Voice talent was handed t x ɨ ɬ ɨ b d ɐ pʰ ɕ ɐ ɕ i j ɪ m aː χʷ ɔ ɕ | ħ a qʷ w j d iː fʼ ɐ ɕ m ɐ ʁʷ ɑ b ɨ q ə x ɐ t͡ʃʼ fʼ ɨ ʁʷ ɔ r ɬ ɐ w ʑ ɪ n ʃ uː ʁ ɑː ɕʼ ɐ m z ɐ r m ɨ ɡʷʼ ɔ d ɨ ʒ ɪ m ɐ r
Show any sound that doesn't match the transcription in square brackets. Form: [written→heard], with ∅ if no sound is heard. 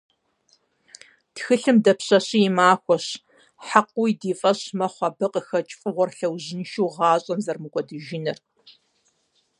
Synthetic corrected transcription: t x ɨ ɬ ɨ [b→m] d ɐ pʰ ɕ ɐ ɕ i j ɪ m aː [χʷ→xʷ] ɔ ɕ | ħ a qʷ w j d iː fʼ ɐ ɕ m ɐ [ʁʷ→χʷ] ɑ b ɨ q ə x ɐ t͡ʃʼ fʼ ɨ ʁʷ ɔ r ɬ ɐ w ʑ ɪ n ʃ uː ʁ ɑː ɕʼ ɐ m z ɐ r m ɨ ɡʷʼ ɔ d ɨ ʒ ɪ [m→n] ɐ r